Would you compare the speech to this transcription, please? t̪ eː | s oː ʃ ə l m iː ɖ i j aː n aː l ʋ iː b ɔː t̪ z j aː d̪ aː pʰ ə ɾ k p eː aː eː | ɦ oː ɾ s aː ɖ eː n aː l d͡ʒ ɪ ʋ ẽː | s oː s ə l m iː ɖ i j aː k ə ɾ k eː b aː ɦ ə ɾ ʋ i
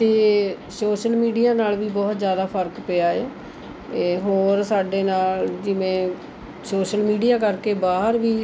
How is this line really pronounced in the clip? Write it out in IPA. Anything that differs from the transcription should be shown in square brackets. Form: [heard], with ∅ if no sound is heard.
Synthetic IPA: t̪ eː | s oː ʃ ə l m iː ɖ i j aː n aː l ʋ iː b ɔː t̪ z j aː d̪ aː pʰ ə ɾ k p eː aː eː | ɦ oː ɾ s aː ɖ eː n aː l d͡ʒ ɪ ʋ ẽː | s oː [ʃ] ə l m iː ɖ i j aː k ə ɾ k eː b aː ɦ ə ɾ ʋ [iː]

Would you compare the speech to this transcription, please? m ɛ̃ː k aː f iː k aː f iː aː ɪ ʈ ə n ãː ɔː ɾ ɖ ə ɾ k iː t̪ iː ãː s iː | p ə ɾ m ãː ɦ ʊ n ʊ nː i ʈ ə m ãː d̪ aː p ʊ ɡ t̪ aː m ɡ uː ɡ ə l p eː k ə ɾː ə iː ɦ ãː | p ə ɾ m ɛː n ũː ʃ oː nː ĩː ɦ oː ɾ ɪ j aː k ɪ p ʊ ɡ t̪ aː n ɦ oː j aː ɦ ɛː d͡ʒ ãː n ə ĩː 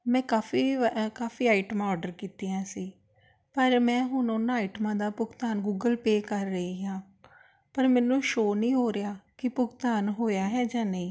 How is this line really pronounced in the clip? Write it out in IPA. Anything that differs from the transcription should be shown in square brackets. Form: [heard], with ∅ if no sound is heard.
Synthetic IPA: m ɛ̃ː k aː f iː k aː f iː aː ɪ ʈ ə [m] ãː ɔː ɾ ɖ ə ɾ k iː t̪ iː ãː s iː | p ə ɾ m [ɛ̃ː] ɦ ʊ n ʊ nː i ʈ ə m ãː d̪ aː p ʊ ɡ t̪ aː [n] ɡ uː ɡ ə l p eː k ə ɾː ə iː ɦ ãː | p ə ɾ m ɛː n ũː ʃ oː [n] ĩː ɦ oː ɾ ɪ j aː k ɪ p ʊ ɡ t̪ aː n ɦ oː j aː ɦ ɛː d͡ʒ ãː n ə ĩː

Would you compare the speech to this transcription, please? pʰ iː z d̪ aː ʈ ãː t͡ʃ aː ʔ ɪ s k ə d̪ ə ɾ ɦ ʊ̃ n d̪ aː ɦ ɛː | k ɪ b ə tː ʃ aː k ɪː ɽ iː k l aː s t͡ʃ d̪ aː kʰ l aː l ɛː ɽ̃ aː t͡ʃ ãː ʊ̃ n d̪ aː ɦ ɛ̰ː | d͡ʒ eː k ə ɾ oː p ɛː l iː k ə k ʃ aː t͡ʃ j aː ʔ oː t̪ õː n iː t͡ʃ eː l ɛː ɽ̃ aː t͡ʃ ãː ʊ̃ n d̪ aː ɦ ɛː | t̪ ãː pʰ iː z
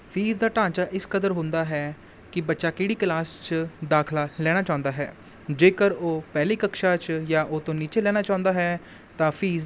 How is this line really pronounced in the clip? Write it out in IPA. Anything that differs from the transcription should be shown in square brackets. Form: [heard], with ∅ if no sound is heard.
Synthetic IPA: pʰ iː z d̪ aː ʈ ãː t͡ʃ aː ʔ ɪ s k ə d̪ ə ɾ ɦ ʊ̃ n d̪ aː ɦ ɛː | k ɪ b ə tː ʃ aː k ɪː ɽ iː k l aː s t͡ʃ d̪ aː kʰ l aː l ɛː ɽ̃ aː t͡ʃ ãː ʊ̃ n d̪ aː ɦ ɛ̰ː | d͡ʒ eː k ə ɾ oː p ɛː l iː k ə k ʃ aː t͡ʃ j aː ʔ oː t̪ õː n iː t͡ʃ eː l ɛː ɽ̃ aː t͡ʃ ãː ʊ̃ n d̪ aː ɦ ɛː | t̪ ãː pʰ iː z

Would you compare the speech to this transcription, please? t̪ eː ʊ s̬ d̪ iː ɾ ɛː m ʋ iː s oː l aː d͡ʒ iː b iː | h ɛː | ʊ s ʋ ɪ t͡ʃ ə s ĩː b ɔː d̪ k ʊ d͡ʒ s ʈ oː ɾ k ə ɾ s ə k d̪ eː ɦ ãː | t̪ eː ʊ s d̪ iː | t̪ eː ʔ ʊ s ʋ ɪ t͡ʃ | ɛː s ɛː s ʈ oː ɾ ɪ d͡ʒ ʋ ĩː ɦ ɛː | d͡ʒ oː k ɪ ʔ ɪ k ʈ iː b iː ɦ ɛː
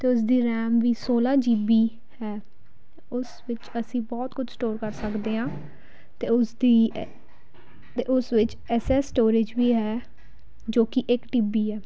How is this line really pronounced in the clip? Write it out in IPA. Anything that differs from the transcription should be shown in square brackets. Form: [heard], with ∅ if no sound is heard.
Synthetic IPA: t̪ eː ʊ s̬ d̪ iː ɾ ɛː m ʋ iː s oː l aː d͡ʒ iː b iː | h ɛː | ʊ s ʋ ɪ t͡ʃ ə s ĩː b ɔː [t̪] k ʊ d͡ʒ s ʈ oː ɾ k ə ɾ s ə k d̪ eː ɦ ãː | t̪ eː ʊ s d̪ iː | t̪ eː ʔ ʊ s ʋ ɪ t͡ʃ | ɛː s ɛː s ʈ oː ɾ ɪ d͡ʒ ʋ [iː] ɦ ɛː | d͡ʒ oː k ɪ ʔ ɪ k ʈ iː b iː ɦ ɛː

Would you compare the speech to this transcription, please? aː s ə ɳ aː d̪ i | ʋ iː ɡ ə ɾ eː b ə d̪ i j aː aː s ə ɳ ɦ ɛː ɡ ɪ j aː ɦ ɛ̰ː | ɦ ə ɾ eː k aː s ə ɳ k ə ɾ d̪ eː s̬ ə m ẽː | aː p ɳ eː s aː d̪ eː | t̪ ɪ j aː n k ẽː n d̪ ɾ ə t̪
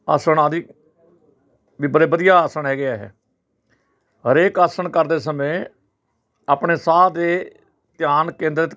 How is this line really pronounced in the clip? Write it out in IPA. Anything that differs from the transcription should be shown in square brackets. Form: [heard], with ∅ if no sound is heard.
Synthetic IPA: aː s ə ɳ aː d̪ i | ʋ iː [b] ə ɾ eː b ə d̪ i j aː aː s ə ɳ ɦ ɛː ɡ ɪ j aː ɦ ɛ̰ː | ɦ ə ɾ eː k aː s ə ɳ k ə ɾ d̪ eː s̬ ə m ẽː | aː p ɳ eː s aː d̪ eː | t̪ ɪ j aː n k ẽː n d̪ ɾ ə t̪

